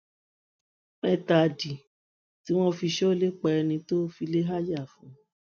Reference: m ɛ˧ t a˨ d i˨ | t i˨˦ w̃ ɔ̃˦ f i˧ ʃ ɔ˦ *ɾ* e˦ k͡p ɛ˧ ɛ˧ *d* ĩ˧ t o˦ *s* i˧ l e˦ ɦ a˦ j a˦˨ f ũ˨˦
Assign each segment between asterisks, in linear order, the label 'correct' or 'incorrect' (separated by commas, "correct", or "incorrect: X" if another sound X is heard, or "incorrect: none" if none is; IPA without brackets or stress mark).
incorrect: l, incorrect: n, incorrect: f